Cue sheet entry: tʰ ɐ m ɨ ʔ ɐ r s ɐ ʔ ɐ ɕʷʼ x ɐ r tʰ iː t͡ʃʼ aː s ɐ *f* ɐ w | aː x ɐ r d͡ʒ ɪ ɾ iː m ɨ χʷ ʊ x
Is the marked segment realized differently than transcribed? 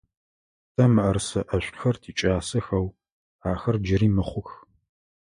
yes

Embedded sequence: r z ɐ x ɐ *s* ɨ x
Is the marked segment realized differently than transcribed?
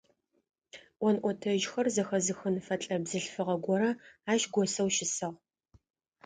yes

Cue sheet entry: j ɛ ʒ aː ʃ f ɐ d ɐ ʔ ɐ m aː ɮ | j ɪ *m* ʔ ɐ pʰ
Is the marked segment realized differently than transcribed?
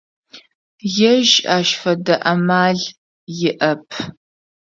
yes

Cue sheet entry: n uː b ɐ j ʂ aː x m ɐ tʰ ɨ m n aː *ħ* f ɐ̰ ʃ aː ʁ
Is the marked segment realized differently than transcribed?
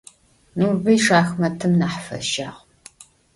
no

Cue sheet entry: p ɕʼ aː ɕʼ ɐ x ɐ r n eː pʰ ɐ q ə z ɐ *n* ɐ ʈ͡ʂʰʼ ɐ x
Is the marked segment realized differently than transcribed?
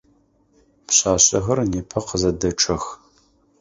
yes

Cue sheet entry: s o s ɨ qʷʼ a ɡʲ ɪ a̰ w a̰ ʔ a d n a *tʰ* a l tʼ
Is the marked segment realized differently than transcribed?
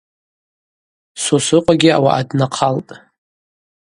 yes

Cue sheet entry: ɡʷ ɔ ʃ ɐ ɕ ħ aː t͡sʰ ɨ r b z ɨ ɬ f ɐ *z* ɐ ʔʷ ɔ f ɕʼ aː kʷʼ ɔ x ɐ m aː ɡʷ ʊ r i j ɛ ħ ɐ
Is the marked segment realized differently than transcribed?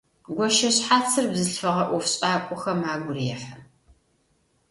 yes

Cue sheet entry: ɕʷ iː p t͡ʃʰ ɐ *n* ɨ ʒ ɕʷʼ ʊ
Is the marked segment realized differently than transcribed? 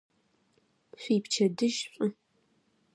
yes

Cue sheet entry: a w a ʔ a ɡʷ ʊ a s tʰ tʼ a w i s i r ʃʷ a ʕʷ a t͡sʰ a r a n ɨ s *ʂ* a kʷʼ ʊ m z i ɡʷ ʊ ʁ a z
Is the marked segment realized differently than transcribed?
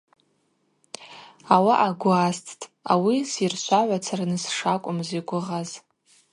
no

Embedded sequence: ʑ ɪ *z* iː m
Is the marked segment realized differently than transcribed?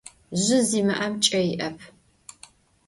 no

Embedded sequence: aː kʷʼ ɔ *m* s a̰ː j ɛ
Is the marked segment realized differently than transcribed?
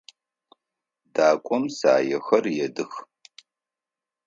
no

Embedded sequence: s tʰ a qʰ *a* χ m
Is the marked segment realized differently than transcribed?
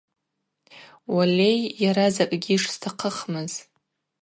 yes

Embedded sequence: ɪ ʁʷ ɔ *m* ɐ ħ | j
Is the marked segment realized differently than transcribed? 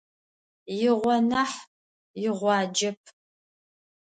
yes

